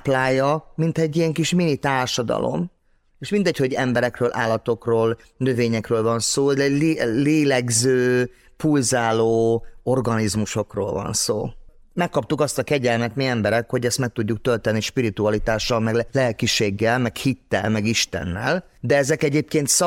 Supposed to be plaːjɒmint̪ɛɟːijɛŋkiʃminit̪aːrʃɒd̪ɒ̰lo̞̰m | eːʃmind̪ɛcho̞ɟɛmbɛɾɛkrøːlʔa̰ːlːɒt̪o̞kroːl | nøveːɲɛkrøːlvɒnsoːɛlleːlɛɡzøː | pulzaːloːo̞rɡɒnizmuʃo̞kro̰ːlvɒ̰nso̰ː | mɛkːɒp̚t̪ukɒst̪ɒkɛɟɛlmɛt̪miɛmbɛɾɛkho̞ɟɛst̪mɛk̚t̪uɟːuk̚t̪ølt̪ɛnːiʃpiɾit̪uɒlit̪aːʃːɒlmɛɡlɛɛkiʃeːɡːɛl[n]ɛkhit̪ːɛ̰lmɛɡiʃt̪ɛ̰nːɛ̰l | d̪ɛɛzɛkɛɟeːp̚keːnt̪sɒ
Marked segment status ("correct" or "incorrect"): incorrect